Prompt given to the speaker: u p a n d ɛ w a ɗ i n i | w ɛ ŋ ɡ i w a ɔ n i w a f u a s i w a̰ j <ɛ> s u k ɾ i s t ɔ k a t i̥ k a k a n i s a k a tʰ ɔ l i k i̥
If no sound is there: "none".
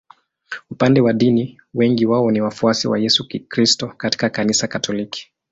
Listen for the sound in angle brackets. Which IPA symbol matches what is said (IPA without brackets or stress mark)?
ɛ